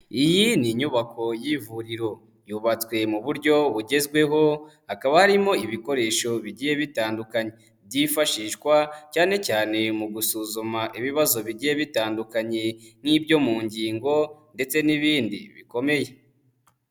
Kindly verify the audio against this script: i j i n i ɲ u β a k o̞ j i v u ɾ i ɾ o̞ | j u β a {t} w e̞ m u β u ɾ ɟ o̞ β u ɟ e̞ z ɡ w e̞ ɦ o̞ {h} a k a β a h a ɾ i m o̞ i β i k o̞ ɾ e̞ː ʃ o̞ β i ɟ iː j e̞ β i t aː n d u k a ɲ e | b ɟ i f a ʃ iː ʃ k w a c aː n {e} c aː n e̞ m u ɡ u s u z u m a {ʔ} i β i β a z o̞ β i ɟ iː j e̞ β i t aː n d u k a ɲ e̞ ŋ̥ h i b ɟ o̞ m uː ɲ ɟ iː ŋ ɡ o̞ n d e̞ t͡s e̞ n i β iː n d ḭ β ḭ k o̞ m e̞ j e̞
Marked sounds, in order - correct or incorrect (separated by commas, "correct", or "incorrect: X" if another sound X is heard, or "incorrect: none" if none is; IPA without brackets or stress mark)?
incorrect: t͡s, correct, correct, correct